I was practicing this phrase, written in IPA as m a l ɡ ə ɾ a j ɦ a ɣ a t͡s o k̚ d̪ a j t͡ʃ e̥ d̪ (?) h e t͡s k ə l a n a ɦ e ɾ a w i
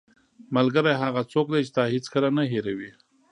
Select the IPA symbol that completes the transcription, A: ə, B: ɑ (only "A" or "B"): B